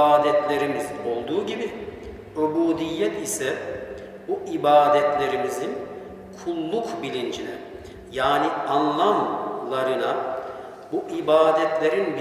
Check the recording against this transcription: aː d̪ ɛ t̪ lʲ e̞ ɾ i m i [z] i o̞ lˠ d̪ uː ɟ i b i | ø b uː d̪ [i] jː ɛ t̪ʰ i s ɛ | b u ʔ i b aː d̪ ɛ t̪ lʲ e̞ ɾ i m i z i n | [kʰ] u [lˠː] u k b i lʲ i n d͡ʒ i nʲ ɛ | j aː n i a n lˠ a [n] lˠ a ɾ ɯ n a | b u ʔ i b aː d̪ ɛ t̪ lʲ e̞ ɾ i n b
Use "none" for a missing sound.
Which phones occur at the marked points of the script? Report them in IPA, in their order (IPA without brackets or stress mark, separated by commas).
z, i, kʰ, lˠː, m